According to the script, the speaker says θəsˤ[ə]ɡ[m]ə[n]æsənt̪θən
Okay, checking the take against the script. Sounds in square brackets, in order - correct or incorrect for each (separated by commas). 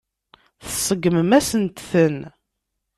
correct, correct, incorrect